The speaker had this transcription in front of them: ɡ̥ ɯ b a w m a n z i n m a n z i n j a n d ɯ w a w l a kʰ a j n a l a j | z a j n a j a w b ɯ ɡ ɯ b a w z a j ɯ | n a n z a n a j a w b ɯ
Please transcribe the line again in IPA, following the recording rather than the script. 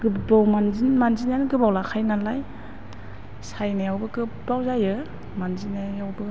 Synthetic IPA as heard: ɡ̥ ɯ b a w m a n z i n m a n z i n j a n ɡ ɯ b a w l a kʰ a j n a l a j | s a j n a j a w b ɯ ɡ ɯ b a w z a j ɯ | m a n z i n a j a w b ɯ